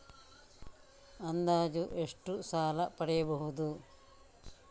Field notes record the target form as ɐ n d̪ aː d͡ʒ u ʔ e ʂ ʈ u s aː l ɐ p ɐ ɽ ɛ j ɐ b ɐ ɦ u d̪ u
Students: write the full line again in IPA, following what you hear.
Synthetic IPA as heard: ɐ n d̪ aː d͡ʒ u ʔ e ʂ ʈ u s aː l ɐ p ɐ ɽ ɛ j ɐ b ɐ ɦ u d̪ u